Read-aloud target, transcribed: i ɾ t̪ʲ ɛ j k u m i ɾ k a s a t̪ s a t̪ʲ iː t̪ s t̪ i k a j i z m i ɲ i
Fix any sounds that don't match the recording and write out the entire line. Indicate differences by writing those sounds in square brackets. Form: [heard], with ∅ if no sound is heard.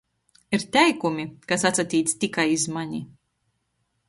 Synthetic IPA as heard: i ɾ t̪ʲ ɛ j k u m i [∅] k a s a t̪ s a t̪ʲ iː t̪ s t̪ i k a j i z m [a] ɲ i